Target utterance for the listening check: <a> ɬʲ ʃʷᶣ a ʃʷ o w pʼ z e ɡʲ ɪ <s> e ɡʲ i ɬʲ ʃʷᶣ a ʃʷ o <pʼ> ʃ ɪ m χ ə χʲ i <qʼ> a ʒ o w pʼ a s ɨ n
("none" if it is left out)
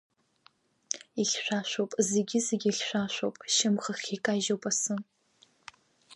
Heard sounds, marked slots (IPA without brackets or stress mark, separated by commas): i, z, pʼ, kʼ